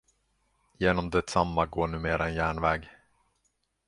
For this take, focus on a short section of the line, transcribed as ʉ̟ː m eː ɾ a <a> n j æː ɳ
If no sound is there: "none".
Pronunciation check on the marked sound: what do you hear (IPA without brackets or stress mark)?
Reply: ɛ